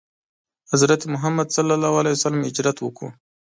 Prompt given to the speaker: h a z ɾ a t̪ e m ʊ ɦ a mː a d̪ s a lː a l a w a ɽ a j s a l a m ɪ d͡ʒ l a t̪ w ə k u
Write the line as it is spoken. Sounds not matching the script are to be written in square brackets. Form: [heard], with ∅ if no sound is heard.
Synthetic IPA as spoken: h a z ɾ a t̪ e m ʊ ɦ a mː a d̪ s a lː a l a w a [l] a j s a l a m ɪ d͡ʒ [ɾ] a t̪ w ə k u